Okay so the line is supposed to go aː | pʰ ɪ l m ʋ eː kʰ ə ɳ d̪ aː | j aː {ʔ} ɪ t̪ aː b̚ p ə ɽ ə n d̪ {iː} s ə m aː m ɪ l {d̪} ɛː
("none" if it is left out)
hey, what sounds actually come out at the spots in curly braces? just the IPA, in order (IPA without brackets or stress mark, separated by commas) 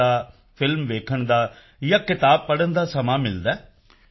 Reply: k, aː, d̪